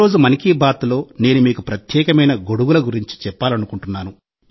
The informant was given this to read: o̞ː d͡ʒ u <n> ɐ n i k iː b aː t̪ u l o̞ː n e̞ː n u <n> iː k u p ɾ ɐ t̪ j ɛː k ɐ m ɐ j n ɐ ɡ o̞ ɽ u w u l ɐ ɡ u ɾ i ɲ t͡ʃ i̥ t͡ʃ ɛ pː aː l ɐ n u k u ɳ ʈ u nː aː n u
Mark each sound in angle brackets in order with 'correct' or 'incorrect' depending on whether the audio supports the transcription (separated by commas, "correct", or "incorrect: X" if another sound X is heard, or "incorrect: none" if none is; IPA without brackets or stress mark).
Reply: incorrect: m, incorrect: m